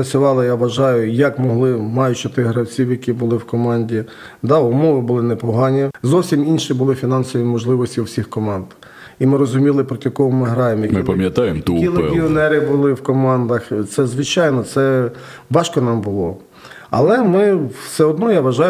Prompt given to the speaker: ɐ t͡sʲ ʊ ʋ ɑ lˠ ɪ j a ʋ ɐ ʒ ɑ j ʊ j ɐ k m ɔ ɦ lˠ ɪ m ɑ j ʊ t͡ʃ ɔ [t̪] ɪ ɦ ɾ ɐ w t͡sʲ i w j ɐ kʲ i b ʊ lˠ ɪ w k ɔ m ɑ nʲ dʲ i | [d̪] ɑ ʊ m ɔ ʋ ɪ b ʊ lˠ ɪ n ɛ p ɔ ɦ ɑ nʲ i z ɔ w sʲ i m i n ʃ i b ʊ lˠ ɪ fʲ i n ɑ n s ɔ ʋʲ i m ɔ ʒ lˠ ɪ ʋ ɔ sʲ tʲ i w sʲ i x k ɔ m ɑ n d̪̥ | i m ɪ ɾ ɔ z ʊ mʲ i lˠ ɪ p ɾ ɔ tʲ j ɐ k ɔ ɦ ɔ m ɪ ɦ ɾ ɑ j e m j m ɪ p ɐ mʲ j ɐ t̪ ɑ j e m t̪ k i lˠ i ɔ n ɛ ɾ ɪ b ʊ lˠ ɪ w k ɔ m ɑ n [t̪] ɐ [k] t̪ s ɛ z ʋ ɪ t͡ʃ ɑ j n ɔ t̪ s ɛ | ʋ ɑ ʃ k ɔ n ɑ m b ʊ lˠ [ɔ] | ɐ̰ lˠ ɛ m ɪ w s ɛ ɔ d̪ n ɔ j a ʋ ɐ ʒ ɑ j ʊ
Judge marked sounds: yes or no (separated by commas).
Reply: yes, yes, no, no, yes